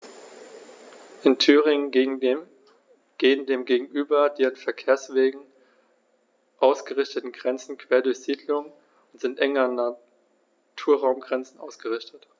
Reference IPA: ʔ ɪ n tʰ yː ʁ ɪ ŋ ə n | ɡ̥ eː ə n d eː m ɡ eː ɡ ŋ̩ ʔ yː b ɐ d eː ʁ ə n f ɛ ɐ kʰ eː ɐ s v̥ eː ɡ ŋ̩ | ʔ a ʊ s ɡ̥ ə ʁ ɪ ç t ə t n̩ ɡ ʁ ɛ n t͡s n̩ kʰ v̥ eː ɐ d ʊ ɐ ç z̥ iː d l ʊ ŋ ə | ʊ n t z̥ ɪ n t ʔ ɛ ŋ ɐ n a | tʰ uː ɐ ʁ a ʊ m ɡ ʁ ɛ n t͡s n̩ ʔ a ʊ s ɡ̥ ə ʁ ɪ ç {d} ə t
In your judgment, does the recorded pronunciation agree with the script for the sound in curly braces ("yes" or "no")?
no